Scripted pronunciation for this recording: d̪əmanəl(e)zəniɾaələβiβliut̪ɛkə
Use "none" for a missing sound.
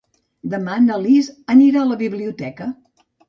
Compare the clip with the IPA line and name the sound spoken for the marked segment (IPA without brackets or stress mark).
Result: i